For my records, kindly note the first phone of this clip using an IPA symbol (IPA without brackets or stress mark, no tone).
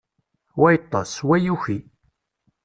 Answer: w